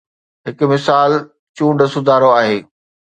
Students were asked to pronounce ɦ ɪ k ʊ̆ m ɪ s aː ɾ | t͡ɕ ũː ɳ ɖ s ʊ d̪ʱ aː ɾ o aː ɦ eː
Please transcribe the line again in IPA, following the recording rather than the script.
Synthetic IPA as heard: ɦ ɪ k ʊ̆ m ɪ s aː l | t͡ɕ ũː ɳ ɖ s ʊ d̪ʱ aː ɾ o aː ɦ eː